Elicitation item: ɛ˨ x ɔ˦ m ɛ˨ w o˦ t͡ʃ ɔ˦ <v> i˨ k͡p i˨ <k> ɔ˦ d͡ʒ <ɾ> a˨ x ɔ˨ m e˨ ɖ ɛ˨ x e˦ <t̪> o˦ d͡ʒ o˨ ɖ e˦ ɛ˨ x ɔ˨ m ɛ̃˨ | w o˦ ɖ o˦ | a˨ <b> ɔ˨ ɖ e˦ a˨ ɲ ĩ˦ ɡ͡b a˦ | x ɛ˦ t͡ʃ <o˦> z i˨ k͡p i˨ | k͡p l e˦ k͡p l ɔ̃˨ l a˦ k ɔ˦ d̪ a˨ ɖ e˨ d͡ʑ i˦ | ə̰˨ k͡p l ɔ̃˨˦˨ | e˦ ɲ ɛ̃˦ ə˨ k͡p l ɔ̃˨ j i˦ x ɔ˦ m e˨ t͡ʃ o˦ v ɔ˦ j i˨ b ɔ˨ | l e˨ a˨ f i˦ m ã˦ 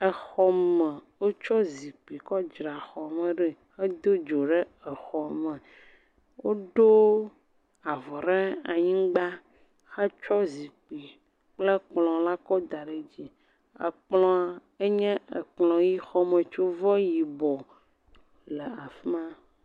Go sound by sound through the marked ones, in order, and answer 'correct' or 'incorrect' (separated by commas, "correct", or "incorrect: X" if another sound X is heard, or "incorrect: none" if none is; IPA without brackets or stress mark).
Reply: incorrect: z, correct, correct, incorrect: d̪, incorrect: v, incorrect: ɔ˦